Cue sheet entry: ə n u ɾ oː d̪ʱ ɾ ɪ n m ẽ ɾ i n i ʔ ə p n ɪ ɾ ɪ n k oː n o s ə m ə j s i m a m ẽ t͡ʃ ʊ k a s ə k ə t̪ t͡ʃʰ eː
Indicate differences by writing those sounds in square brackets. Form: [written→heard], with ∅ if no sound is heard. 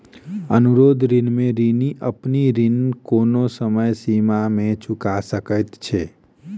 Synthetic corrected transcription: ə n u ɾ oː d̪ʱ ɾ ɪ n m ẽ ɾ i n i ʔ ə p n [ɪ→i] ɾ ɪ n k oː n o s ə m ə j s i m a m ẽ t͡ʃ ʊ k a s ə k ə t̪ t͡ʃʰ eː